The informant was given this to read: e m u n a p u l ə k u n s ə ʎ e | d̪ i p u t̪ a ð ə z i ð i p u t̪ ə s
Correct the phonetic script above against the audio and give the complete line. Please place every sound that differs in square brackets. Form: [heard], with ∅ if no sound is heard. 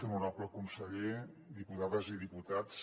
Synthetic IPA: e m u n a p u l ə k u n s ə ʎ e | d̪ i p u t̪ a ð ə z i ð i p u t̪ [a] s